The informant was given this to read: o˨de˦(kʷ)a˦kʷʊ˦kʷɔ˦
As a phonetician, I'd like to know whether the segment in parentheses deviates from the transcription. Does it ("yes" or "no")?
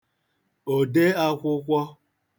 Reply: yes